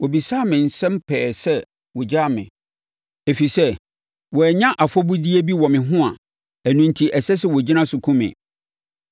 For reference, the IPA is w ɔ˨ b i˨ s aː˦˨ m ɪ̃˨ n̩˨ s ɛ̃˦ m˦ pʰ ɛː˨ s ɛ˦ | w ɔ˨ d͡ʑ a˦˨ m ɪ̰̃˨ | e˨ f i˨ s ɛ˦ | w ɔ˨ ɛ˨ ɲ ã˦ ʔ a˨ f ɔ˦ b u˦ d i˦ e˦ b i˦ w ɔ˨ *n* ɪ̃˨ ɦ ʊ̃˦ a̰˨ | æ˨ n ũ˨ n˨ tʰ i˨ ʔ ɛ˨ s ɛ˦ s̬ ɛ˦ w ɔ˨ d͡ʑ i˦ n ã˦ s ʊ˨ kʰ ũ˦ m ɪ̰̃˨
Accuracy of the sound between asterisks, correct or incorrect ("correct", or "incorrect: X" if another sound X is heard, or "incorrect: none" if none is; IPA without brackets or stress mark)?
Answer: incorrect: m